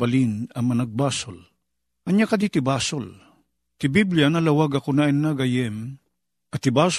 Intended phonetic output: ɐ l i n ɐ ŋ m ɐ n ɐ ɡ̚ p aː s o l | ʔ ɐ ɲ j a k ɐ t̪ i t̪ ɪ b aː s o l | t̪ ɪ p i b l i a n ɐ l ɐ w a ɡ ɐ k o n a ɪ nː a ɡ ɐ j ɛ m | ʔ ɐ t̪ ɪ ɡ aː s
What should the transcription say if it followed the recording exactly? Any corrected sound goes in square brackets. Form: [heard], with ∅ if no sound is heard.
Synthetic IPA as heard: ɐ l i n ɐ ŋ m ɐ n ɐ ɡ̚ [b] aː s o l | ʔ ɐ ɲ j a k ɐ [d̪] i t̪ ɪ b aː s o l | t̪ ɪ [b] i b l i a n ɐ l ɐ w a ɡ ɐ k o n a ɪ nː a ɡ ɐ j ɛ m | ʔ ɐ t̪ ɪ [b] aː s